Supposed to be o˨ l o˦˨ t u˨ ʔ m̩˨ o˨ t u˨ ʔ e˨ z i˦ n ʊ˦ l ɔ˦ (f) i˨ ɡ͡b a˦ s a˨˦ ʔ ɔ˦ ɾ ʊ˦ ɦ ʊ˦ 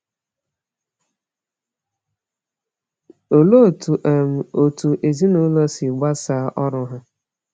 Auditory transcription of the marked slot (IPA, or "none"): s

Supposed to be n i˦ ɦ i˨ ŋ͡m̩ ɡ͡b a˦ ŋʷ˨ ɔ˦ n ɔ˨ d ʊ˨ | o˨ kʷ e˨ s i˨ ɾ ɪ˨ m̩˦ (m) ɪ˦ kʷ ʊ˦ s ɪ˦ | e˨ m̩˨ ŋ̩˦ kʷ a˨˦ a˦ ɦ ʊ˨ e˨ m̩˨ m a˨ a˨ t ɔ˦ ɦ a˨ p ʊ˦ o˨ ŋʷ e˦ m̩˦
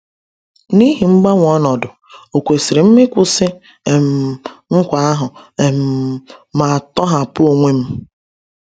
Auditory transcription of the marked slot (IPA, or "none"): m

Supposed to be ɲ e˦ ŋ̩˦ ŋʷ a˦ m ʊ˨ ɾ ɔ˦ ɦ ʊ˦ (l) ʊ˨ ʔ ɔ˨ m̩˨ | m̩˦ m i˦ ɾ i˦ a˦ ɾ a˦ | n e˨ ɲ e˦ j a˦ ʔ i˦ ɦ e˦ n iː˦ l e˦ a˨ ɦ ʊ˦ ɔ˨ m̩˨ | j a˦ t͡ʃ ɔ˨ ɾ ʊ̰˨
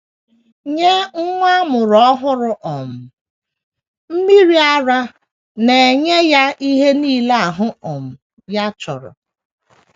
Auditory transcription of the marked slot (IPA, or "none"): ɾ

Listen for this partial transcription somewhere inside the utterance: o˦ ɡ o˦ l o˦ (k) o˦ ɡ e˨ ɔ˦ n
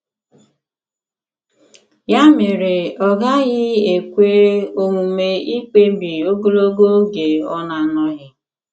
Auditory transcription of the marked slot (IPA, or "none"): ɡ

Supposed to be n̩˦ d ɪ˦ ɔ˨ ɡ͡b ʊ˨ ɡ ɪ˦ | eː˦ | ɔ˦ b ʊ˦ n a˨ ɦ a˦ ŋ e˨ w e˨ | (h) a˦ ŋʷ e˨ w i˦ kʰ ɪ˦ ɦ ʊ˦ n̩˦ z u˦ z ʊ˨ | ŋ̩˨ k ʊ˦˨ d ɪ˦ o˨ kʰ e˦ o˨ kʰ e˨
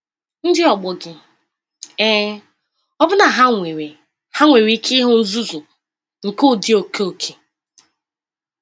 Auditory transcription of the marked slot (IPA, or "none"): h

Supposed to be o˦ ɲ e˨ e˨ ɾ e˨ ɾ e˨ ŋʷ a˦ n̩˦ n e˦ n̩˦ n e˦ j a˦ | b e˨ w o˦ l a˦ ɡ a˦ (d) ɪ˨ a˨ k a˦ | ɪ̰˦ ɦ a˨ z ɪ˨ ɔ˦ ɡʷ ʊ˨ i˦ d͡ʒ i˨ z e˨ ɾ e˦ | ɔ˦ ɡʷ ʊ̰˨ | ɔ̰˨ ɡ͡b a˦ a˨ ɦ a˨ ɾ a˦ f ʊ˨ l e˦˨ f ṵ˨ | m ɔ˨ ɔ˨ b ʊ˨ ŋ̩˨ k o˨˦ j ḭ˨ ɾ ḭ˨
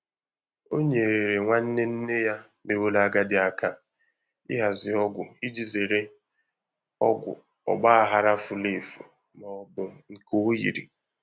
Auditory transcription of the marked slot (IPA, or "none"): d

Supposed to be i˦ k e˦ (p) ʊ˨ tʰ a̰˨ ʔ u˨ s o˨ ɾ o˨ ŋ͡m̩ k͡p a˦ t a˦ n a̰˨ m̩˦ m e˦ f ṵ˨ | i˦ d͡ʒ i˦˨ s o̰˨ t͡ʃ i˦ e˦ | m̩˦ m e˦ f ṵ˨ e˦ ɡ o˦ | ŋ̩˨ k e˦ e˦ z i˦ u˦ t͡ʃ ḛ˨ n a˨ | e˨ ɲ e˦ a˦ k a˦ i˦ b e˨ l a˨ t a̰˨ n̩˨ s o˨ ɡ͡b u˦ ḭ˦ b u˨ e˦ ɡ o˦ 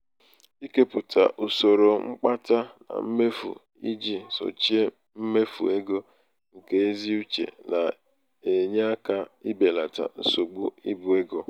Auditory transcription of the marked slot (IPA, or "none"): p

